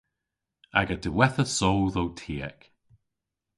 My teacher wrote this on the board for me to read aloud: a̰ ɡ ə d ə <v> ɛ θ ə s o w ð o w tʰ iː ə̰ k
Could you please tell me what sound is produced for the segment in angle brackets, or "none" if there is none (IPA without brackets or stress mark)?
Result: w